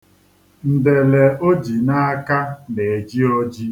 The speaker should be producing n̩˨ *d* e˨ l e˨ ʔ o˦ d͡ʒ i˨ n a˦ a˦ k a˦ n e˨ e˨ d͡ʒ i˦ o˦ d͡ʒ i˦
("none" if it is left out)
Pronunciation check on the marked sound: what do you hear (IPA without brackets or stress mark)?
d